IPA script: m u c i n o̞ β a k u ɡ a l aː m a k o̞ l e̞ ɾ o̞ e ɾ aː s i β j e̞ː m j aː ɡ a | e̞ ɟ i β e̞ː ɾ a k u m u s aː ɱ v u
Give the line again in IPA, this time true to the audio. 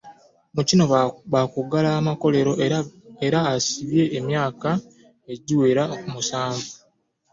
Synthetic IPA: m u c i n o̞ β a k u ɡ a l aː m a k o̞ l e̞ ɾ o̞ e ɾ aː s i β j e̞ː m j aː k a | e̞ ɟ i w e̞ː ɾ a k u m u s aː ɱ v u